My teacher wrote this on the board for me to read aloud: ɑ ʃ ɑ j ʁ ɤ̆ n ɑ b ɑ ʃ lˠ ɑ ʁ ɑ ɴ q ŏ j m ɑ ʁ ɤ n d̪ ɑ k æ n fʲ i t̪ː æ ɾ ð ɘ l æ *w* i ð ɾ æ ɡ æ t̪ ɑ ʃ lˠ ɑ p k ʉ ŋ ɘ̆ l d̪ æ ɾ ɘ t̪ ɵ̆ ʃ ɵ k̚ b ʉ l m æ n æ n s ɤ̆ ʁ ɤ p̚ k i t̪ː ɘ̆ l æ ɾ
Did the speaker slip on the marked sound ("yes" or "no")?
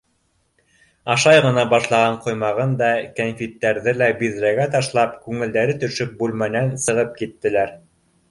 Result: yes